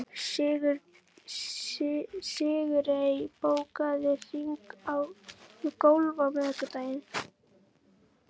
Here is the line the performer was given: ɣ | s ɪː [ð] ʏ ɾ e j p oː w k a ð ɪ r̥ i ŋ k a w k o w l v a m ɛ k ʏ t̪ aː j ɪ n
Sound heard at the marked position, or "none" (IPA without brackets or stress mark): ɣ